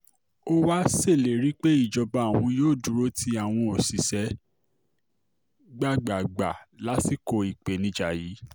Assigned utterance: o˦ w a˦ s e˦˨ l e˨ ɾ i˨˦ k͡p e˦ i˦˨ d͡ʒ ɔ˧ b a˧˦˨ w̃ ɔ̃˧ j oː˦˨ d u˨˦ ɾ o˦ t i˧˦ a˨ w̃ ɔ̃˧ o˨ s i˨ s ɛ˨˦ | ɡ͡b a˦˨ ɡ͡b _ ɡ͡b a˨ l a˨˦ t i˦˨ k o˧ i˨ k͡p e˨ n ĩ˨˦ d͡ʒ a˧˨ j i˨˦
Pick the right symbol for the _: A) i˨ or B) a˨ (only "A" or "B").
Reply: B